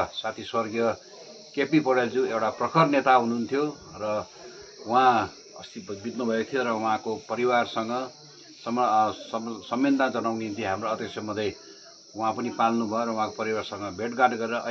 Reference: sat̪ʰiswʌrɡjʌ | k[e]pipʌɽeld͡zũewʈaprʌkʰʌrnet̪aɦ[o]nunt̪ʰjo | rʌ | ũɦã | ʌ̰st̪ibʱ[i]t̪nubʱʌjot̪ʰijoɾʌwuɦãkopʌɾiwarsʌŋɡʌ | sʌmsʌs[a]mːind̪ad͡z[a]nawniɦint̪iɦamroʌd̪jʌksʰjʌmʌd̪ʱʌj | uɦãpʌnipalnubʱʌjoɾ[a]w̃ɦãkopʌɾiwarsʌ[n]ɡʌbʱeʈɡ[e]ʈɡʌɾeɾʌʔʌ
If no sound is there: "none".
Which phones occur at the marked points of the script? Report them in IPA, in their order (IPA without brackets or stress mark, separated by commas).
e, u, i, ʌ, ʌ, ʌ, ŋ, a